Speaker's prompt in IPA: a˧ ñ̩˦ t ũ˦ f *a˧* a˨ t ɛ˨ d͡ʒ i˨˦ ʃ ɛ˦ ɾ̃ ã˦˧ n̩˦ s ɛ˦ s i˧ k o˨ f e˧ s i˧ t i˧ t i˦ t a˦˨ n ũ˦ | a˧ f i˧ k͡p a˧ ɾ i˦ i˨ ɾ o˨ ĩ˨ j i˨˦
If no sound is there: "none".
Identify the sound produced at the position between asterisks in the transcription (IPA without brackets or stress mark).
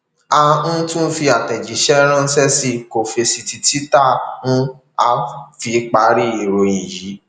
i˧